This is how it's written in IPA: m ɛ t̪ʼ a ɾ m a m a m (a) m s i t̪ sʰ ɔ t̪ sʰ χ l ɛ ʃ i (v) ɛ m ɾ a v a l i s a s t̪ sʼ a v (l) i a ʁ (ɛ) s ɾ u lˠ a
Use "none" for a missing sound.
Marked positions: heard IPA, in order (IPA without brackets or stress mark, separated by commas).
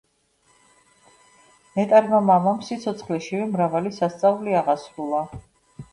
a, v, l, a